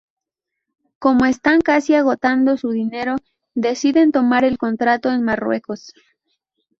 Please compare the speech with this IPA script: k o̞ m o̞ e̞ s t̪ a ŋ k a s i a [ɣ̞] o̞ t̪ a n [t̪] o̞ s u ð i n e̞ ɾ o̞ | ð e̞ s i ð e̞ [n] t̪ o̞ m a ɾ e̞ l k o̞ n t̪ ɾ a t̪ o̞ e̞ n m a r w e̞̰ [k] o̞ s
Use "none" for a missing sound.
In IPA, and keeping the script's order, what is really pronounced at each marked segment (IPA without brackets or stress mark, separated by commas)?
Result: ɣ̞, d̪, n, k